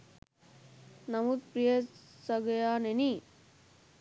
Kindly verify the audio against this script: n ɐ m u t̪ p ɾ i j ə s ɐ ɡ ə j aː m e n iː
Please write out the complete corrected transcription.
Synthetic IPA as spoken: n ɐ m u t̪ p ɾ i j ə s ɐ ɡ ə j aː n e n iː